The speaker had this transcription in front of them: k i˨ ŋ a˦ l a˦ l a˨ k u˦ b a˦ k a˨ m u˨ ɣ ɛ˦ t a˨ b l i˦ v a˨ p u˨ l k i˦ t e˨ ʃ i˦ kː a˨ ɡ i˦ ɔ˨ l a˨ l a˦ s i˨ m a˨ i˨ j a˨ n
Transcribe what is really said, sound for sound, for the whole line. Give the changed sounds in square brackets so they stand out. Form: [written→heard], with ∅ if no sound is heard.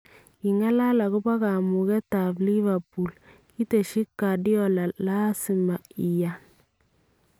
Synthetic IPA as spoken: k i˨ ŋ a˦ l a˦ l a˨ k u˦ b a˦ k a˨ m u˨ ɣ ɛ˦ t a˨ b l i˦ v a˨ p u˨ l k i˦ t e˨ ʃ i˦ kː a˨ [ɡ→d] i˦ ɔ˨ l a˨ l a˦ s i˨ m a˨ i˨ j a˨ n